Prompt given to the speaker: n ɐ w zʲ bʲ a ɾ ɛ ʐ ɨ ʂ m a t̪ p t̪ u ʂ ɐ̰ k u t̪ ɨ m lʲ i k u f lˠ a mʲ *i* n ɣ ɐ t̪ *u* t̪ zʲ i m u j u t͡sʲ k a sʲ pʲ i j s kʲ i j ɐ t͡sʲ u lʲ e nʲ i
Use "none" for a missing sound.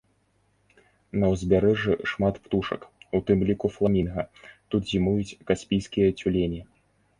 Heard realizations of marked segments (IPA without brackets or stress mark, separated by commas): i, u